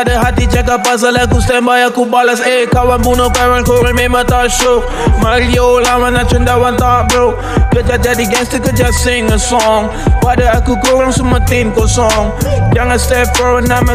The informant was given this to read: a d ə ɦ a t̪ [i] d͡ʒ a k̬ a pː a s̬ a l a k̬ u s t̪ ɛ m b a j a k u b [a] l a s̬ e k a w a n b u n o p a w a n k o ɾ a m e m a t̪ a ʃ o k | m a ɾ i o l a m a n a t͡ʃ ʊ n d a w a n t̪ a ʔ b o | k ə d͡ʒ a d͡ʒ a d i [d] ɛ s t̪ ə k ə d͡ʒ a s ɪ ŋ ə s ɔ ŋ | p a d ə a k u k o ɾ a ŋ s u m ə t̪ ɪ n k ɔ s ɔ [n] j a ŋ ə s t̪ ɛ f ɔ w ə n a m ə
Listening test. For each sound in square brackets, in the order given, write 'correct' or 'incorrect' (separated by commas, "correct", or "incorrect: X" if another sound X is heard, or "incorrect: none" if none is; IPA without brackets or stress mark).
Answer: correct, correct, incorrect: ɡ, incorrect: ŋ